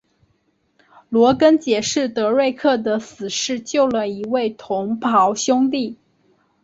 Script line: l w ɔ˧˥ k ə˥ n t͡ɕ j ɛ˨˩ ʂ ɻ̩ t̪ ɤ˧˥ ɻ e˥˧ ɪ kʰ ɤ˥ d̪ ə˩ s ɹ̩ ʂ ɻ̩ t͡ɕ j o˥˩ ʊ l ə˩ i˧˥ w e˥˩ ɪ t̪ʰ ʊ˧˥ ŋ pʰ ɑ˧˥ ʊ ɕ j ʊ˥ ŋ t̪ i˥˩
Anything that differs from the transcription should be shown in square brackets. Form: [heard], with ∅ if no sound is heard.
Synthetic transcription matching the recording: l w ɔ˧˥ k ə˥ n t͡ɕ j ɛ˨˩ ʂ ɻ̩ t̪ ɤ˧˥ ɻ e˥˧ ɪ kʰ [ɤ˥˩] d̪ ə˩ s ɹ̩ ʂ ɻ̩ t͡ɕ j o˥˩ ʊ l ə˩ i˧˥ w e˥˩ ɪ t̪ʰ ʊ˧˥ ŋ pʰ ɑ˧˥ ʊ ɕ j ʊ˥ ŋ t̪ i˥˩

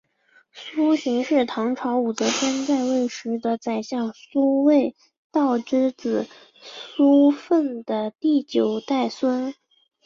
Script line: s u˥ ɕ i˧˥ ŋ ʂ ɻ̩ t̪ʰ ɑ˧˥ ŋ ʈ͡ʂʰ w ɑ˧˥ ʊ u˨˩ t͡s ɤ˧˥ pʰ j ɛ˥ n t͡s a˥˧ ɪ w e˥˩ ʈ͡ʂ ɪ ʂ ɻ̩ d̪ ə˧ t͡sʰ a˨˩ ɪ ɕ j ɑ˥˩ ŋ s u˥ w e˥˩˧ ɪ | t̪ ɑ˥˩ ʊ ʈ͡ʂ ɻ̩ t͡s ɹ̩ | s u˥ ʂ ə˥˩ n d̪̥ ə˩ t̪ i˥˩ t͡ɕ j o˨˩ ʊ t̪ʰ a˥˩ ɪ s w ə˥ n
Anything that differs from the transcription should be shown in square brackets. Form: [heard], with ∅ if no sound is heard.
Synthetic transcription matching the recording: s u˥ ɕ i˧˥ ŋ ʂ ɻ̩ t̪ʰ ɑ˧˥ ŋ ʈ͡ʂʰ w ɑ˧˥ ʊ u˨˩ t͡s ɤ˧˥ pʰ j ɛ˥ n t͡s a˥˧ ɪ w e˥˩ [∅] ɪ ʂ ɻ̩ d̪ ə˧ [t͡s] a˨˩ ɪ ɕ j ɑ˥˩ ŋ s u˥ w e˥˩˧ ɪ | t̪ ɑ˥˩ ʊ ʈ͡ʂ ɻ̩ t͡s ɹ̩ | s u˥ [f] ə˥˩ n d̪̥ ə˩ t̪ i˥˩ t͡ɕ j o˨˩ ʊ [t̪] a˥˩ ɪ s w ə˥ n

